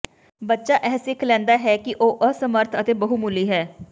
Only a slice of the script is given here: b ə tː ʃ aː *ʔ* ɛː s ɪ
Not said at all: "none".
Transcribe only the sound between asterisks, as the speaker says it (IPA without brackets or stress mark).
ʔ